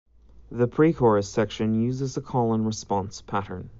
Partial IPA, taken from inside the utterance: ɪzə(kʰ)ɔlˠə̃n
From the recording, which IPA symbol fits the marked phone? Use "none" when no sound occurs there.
kʰ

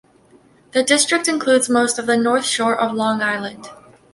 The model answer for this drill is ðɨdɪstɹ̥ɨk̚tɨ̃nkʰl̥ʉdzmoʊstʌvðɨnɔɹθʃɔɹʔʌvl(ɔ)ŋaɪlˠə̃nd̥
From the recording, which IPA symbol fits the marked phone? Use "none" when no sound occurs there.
ɔ̃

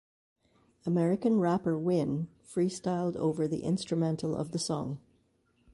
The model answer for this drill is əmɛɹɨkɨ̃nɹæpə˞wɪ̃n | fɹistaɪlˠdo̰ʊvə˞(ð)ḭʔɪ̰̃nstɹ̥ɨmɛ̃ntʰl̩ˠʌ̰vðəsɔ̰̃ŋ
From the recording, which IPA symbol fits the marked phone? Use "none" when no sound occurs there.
ð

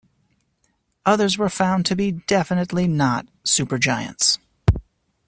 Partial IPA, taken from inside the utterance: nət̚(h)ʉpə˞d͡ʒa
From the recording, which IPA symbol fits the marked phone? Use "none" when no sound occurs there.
s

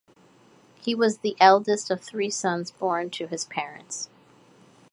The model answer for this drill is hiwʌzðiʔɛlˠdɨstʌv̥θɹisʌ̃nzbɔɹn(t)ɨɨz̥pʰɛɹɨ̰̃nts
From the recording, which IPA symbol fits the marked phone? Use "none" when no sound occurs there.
tʰ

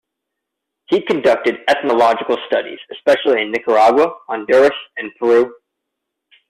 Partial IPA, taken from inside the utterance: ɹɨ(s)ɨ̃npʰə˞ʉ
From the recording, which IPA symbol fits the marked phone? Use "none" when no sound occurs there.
s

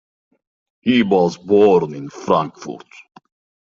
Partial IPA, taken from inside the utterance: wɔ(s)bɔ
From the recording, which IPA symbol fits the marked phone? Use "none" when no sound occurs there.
z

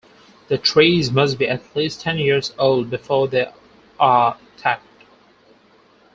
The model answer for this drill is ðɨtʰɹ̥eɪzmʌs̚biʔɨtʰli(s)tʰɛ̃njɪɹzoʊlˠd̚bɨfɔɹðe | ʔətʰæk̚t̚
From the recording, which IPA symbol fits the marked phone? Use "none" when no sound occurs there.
s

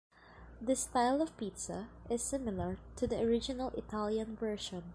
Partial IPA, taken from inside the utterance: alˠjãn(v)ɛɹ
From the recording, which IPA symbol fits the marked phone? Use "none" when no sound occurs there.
v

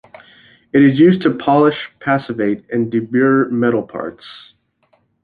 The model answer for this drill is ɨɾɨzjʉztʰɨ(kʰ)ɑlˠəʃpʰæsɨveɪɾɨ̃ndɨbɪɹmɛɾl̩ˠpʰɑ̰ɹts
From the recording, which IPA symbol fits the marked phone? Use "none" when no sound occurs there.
pʰ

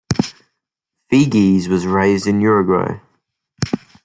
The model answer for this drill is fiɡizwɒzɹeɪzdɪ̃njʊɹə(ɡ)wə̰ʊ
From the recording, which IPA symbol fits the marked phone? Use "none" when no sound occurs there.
ɡ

